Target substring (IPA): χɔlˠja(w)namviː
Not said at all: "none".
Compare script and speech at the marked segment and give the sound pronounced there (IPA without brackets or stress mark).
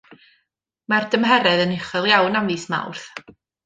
w